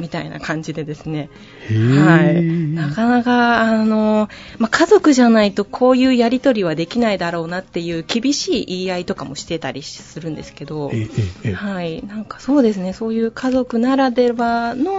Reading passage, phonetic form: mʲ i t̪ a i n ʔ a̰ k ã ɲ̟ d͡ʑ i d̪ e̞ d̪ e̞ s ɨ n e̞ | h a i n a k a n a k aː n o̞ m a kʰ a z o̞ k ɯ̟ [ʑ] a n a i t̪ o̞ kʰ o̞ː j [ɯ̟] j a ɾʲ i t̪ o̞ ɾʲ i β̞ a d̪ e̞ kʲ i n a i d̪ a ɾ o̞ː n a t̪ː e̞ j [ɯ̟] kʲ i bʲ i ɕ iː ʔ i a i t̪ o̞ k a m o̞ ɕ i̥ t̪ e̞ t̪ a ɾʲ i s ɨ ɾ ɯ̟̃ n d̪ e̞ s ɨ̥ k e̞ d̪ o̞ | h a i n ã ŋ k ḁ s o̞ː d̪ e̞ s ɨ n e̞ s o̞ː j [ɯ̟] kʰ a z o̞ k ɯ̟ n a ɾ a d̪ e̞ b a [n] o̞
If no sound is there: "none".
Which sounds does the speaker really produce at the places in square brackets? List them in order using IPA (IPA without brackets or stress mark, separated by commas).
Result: ʑ, ɯ̟ː, ɯ̟ː, ɯ̟ː, n